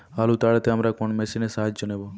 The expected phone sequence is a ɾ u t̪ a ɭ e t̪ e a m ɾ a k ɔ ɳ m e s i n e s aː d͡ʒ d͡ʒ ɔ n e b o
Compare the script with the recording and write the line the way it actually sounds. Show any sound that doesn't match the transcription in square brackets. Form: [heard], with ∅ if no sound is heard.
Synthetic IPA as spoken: a [l] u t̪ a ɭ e t̪ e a m ɾ a k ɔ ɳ m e s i n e s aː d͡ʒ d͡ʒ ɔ n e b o